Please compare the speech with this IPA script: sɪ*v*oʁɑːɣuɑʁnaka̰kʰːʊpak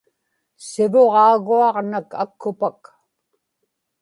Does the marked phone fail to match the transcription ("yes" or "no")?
no